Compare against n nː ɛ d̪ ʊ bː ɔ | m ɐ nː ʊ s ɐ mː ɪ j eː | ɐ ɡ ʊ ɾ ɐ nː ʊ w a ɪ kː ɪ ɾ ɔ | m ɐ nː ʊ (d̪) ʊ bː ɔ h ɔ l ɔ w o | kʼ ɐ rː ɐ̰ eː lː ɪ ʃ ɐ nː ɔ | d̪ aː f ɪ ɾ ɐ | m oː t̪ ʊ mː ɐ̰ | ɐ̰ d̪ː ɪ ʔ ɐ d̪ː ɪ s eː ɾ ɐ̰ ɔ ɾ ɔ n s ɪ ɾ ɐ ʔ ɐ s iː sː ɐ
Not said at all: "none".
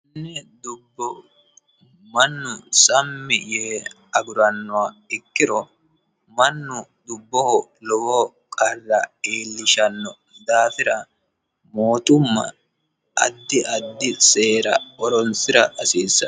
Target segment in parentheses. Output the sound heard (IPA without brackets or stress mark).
d̪